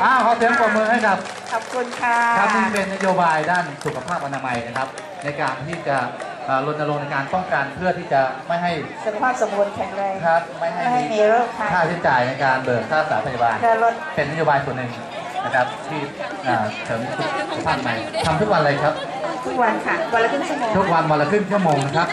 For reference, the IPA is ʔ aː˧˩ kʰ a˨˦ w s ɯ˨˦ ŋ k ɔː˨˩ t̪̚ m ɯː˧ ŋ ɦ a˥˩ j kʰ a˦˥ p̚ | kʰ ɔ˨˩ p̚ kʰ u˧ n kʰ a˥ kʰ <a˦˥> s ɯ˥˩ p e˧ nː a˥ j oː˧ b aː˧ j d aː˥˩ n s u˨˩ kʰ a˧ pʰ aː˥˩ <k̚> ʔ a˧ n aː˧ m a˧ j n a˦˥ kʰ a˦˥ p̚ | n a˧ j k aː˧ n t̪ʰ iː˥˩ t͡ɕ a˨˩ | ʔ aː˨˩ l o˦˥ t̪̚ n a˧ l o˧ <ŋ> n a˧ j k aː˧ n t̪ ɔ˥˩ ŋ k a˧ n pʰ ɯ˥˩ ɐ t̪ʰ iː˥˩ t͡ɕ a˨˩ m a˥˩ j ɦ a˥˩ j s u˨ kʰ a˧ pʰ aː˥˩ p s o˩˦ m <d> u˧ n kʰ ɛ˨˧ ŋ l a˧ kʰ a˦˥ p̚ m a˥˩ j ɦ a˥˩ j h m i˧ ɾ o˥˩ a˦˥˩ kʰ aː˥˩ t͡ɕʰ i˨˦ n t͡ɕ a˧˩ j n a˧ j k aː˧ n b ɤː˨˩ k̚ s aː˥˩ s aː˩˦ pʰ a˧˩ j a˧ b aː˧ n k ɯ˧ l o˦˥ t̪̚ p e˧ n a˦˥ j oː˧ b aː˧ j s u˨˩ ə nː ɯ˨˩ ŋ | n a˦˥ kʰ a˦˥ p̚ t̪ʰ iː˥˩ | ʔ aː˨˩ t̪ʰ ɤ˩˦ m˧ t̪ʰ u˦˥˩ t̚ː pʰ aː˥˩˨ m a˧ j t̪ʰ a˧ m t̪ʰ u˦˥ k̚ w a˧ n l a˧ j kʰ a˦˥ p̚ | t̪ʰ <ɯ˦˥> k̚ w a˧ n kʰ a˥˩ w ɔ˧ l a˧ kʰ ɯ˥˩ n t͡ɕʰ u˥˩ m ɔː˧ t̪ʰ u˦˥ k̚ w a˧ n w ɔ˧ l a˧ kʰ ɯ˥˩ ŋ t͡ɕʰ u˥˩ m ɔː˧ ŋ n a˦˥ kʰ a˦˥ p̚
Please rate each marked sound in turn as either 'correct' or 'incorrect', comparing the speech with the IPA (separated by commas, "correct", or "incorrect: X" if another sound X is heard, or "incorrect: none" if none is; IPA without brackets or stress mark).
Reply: correct, incorrect: p̚, correct, incorrect: b, incorrect: u˦˥